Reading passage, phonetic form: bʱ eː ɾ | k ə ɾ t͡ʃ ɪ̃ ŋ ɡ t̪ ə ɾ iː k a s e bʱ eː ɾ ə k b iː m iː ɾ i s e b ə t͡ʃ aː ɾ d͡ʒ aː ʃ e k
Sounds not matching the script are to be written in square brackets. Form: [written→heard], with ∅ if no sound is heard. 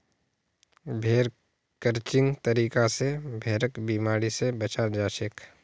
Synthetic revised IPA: bʱ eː ɾ | k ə ɾ t͡ʃ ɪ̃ ŋ ɡ t̪ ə ɾ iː k a s e bʱ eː ɾ ə k b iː m [iː→aː] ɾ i s e b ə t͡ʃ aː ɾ d͡ʒ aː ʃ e k